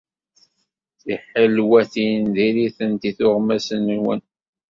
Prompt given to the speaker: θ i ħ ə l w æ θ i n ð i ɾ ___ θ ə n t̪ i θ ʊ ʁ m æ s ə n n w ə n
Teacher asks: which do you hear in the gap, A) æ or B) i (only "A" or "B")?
B